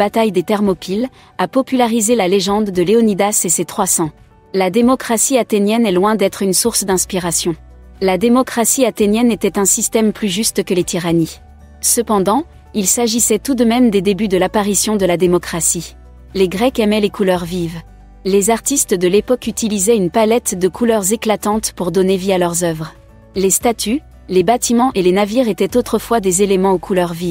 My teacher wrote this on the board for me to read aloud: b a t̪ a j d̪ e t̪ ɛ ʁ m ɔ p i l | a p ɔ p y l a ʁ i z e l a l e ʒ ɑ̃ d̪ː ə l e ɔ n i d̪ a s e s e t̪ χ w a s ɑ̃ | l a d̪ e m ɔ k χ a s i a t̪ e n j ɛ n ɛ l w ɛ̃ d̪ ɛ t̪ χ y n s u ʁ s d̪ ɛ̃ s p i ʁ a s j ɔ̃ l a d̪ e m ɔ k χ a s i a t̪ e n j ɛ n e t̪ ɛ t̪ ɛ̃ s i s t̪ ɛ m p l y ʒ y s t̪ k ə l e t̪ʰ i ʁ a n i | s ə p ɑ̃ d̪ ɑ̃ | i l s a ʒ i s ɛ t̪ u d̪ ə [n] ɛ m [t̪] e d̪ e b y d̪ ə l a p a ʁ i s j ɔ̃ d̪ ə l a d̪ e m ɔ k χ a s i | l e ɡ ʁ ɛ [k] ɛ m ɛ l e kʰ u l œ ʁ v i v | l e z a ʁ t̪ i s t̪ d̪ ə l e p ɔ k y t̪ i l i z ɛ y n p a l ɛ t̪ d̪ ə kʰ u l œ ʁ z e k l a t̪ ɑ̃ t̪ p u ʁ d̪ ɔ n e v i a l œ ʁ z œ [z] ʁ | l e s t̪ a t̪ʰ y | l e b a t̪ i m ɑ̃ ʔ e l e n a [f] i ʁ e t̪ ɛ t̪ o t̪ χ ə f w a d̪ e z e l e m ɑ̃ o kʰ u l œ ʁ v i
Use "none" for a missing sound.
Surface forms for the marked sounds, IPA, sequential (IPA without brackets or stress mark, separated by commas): m, d̪, k, v, v